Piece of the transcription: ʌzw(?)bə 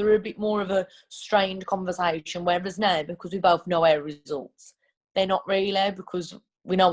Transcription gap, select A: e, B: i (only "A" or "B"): B